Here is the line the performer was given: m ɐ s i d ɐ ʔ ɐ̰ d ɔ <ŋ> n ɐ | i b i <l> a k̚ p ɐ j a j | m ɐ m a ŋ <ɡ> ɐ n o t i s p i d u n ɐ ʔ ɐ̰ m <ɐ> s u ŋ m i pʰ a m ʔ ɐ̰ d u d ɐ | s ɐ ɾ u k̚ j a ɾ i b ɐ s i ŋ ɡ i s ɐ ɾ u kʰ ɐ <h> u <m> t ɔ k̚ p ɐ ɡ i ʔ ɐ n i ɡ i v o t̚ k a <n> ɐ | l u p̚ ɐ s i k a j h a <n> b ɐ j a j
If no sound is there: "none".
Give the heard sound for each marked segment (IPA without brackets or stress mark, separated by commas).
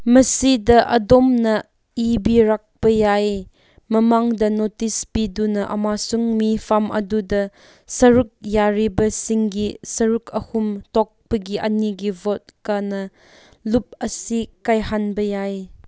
m, ɾ, d, a, h, m, n, n